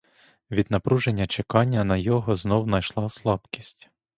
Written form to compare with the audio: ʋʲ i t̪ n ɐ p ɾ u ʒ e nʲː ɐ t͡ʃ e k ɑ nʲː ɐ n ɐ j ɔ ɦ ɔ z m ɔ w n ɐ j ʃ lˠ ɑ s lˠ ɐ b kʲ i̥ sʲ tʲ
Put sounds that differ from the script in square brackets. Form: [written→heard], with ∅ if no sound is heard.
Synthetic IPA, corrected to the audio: ʋʲ i [t̪→d̪] n ɐ p ɾ u ʒ e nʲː ɐ t͡ʃ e k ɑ nʲː ɐ n ɐ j ɔ ɦ ɔ z [m→n] ɔ w n ɐ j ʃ lˠ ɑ s lˠ [ɐ→ɑ] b kʲ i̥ sʲ tʲ